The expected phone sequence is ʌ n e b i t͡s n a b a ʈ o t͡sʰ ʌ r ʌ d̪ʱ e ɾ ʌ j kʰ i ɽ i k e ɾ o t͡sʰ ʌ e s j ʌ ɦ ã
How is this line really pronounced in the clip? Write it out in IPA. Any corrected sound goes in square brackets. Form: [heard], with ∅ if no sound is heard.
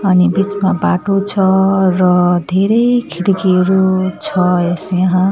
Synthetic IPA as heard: ʌ n [i] b i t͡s [m] a b a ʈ o t͡sʰ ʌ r ʌ d̪ʱ e ɾ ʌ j kʰ i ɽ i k e ɾ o t͡sʰ ʌ e s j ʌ ɦ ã